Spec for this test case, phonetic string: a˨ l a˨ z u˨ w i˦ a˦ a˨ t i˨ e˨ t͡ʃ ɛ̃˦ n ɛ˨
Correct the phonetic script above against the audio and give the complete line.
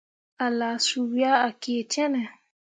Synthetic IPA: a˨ l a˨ s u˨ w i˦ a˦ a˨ k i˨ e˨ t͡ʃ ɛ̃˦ n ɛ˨